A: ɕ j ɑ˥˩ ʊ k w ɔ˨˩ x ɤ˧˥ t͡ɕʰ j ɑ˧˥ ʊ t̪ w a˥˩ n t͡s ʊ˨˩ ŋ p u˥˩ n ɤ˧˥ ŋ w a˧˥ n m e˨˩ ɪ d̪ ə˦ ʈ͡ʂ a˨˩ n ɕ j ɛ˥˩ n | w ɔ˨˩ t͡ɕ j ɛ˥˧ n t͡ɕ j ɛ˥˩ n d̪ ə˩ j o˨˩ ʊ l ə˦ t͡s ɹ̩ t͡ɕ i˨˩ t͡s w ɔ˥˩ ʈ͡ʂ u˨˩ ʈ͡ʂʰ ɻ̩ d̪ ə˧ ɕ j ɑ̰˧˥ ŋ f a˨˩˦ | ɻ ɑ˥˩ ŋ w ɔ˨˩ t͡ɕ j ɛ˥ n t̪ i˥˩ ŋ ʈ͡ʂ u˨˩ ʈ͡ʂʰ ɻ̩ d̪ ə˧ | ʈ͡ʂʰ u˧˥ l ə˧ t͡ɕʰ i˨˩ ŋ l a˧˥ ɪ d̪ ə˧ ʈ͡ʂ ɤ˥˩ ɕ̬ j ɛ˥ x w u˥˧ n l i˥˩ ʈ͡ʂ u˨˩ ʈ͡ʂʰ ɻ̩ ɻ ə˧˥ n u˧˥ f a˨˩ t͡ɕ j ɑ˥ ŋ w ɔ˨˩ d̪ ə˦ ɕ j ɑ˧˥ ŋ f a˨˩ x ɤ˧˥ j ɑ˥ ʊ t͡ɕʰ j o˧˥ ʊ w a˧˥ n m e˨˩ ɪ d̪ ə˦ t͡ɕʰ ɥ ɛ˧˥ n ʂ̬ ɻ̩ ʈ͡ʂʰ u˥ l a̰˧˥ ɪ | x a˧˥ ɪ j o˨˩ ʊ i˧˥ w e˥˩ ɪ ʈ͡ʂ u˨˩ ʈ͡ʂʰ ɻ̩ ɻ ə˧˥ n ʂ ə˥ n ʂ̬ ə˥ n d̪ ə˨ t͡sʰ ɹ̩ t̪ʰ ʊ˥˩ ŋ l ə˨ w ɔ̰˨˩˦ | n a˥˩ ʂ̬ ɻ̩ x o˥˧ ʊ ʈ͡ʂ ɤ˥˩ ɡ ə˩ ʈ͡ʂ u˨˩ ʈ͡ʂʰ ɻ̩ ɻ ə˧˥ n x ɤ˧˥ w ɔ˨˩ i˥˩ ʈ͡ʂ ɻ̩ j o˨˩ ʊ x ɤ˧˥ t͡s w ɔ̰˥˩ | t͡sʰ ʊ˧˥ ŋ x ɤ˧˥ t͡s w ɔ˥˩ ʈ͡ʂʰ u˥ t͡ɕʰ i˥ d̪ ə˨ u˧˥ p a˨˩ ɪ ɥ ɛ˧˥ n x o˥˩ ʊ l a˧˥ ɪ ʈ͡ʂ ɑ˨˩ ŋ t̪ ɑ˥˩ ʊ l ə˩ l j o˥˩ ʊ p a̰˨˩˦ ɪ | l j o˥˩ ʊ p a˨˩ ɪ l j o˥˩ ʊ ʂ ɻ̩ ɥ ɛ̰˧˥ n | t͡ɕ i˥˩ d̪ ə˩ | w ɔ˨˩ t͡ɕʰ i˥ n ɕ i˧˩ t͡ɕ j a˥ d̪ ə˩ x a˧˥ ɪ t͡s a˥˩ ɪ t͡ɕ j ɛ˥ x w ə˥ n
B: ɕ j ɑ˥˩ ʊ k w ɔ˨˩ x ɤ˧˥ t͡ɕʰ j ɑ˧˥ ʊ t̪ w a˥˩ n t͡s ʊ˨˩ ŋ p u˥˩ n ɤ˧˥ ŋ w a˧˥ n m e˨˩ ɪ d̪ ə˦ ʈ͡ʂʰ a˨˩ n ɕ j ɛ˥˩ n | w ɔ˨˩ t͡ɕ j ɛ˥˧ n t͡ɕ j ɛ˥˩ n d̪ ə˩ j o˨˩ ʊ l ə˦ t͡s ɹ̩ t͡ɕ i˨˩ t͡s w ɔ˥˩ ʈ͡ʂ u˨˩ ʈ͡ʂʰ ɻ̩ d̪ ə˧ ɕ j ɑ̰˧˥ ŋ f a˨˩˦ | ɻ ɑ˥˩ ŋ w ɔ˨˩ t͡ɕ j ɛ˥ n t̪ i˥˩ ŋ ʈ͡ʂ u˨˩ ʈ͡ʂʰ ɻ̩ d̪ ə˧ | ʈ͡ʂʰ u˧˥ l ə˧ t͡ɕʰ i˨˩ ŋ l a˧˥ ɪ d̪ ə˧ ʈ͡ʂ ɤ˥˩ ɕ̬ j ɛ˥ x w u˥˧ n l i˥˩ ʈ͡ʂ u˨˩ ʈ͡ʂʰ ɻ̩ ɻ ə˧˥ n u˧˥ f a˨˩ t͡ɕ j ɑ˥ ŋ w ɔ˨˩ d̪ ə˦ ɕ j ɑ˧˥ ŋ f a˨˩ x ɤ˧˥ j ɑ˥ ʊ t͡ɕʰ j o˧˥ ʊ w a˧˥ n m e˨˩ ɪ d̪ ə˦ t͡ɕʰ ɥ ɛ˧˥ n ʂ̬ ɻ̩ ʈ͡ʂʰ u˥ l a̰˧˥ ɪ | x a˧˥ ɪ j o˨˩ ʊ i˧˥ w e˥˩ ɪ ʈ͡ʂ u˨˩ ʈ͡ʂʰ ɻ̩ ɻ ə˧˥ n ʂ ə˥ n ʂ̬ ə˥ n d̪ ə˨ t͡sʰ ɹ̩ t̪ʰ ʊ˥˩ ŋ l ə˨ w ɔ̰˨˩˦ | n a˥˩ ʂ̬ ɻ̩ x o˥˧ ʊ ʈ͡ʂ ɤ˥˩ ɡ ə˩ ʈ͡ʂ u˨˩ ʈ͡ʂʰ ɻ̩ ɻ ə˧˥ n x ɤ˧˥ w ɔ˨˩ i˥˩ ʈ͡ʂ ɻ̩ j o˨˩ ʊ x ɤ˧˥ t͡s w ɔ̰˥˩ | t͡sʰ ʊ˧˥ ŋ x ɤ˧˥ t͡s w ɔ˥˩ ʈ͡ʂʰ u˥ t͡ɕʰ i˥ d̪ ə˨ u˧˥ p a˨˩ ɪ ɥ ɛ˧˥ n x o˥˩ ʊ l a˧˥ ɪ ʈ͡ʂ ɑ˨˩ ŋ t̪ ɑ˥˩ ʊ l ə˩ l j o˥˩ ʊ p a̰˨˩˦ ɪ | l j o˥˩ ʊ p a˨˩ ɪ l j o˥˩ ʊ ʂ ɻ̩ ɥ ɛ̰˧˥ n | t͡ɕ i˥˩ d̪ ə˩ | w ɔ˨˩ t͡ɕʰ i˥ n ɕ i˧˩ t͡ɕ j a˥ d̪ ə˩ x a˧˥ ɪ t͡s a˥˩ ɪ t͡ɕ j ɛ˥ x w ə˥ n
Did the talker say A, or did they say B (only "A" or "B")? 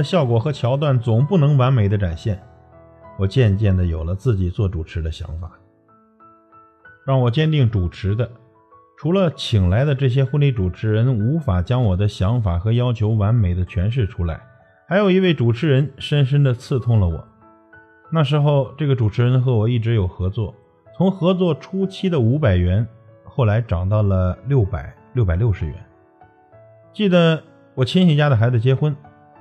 A